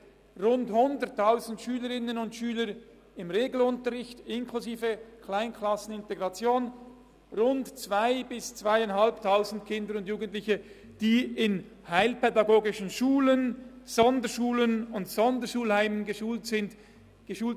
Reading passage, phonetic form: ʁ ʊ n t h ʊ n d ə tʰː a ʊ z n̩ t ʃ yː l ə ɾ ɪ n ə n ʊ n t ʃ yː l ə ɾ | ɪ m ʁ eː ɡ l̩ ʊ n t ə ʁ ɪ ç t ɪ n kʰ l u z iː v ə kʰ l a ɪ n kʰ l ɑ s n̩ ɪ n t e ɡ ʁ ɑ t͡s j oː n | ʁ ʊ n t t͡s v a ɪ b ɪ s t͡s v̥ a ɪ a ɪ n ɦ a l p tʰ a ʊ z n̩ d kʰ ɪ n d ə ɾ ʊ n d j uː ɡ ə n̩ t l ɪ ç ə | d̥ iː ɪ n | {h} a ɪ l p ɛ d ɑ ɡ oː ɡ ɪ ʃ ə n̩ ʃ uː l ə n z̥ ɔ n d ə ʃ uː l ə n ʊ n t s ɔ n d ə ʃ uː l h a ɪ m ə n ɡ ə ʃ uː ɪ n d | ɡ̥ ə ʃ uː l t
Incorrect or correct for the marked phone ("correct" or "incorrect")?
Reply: correct